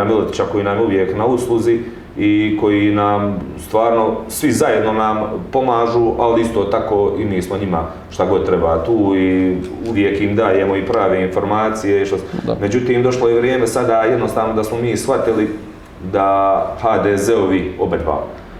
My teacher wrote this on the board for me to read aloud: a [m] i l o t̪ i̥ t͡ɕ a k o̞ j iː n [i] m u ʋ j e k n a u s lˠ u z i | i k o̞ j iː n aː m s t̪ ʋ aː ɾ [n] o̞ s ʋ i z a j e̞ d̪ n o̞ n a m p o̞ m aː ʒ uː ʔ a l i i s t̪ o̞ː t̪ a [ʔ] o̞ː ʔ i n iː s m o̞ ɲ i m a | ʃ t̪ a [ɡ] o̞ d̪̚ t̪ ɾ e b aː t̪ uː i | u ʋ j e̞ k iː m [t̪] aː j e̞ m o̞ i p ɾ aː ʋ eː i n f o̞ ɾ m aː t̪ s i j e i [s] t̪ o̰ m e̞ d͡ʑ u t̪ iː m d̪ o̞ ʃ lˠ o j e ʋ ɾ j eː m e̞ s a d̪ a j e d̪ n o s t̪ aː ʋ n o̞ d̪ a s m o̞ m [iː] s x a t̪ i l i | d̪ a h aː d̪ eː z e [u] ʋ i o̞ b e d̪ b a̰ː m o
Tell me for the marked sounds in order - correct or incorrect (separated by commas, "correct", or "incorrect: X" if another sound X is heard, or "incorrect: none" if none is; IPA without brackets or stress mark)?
correct, incorrect: a, correct, incorrect: k, correct, incorrect: d̪, incorrect: ʃ, correct, incorrect: o